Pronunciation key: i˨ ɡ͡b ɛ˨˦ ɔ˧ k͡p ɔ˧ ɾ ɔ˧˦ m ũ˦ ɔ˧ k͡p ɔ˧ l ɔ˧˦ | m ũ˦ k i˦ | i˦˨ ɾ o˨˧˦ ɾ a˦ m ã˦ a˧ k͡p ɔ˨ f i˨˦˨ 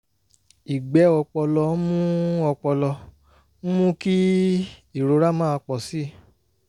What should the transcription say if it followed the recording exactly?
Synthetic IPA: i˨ ɡ͡b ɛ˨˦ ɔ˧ k͡p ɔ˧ l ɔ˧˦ m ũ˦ ɔ˧ k͡p ɔ˧ l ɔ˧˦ | m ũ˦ k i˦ | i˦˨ ɾ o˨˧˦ ɾ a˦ m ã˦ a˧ k͡p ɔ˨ s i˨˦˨